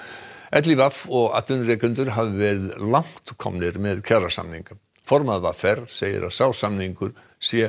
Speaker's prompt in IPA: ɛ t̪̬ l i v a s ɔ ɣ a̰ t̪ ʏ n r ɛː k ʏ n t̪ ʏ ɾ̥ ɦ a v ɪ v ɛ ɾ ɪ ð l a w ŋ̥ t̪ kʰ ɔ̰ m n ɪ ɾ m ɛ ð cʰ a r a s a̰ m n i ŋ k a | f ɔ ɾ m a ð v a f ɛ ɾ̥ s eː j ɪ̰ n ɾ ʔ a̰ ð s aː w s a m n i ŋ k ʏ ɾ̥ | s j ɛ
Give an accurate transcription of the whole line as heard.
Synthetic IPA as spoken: ɛ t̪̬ l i v a f ɔ ɣ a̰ t̪ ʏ n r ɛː k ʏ n t̪ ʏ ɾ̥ ɦ a v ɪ v ɛ ɾ ɪ ð l a w ŋ̥ t̪ kʰ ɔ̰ m n ɪ ɾ m ɛ ð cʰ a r a s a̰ m n i ŋ k a | f ɔ ɾ m a ð v a f ɛ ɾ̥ s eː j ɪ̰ ɾ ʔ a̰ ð s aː w s a m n i ŋ k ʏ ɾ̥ | s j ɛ